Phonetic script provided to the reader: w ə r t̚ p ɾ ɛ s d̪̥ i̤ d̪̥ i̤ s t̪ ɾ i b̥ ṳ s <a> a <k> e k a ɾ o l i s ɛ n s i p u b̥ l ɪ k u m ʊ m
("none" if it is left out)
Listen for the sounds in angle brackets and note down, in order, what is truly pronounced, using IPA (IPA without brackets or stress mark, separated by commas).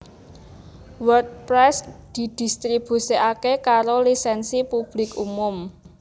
i, k